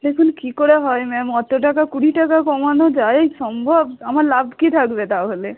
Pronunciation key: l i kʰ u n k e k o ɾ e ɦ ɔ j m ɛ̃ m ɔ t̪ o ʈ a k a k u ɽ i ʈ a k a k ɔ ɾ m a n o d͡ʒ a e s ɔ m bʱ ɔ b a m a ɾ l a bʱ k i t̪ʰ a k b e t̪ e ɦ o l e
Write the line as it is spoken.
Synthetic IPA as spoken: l e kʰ u n k i k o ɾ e ɦ ɔ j m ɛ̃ m ɔ t̪ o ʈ a k a k u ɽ i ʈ a k a k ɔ m a n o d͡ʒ a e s ɔ m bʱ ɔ b a m a ɾ l a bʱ k i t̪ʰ a k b e t̪ a ɦ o l e